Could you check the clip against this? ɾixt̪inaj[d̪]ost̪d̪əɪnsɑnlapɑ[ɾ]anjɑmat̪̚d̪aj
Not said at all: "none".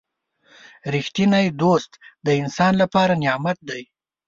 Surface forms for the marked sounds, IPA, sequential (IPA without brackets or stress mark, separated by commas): d̪, ɾ